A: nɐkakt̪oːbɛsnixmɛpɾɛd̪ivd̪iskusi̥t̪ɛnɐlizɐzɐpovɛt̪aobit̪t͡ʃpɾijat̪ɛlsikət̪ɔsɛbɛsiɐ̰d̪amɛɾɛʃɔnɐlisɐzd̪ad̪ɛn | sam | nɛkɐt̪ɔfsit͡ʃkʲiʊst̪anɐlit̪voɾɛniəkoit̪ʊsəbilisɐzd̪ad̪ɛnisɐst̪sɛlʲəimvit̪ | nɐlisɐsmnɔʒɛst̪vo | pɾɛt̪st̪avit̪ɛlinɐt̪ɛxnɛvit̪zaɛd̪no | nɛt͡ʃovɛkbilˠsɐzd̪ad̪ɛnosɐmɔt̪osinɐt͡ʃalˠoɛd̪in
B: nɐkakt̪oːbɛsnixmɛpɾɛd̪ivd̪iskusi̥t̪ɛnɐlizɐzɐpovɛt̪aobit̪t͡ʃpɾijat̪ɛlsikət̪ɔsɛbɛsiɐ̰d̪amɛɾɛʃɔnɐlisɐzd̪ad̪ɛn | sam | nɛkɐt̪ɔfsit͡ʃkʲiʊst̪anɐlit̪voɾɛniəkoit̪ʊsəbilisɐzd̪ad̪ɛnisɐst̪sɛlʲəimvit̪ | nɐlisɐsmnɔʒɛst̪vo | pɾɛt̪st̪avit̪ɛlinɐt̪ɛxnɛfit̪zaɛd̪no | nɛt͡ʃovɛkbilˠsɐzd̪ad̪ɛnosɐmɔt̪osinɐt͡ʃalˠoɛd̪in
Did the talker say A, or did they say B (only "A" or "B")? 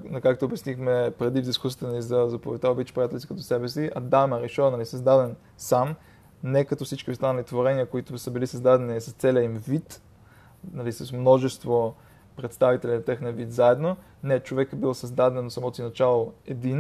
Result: A